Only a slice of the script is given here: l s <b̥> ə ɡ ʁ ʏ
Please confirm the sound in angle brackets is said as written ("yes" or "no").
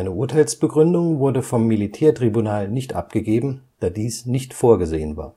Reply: yes